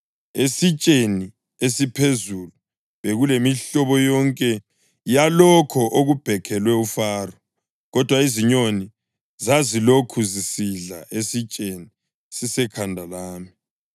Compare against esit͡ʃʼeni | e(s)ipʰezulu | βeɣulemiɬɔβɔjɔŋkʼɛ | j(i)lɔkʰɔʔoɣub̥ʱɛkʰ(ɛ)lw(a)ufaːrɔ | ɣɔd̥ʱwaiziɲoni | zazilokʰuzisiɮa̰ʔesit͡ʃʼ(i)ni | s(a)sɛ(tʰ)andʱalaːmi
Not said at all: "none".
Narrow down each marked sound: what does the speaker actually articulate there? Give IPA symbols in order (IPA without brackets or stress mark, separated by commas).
s, a, ɛ, ɛ, e, i, kʰ